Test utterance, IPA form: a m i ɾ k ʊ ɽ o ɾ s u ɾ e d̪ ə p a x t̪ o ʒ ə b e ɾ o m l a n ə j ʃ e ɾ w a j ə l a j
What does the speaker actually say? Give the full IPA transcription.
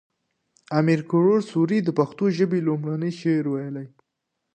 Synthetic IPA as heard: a m i ɾ k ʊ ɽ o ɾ s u ɾ i d̪ ə p a x t̪ o ʒ ə b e l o m ɽ a n ə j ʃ e ɾ w a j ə l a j